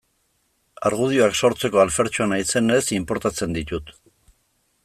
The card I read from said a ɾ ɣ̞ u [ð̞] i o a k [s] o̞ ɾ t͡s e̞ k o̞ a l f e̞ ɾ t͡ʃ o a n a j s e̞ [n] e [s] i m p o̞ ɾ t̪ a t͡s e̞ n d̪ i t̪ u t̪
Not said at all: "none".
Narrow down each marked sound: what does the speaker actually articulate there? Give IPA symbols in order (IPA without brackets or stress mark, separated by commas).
ð̞, s, n, s